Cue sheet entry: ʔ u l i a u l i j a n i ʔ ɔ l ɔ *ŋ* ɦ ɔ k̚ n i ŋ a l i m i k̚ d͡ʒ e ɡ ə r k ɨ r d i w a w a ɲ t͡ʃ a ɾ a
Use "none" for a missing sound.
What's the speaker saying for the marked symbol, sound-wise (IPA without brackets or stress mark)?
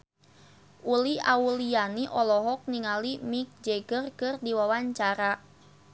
none